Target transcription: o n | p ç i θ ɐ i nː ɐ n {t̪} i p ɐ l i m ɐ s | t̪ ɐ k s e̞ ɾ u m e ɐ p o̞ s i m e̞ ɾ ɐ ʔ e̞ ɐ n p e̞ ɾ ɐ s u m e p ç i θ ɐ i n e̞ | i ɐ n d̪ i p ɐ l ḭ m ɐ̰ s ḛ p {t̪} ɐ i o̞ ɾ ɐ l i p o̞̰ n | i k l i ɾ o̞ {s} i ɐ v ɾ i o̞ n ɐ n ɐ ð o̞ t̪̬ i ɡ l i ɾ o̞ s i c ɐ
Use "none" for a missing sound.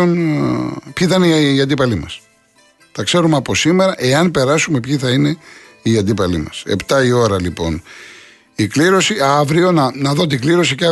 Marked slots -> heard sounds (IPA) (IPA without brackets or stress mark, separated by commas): d̪, t̪, s